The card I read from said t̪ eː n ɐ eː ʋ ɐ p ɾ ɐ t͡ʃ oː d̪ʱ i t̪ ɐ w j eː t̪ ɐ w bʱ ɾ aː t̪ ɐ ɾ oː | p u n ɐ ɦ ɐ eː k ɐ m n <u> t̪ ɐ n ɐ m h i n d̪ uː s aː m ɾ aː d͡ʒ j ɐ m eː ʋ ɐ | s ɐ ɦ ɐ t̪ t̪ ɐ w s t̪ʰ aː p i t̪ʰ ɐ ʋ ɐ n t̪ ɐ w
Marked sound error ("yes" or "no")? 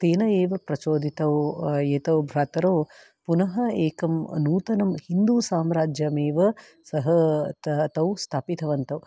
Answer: yes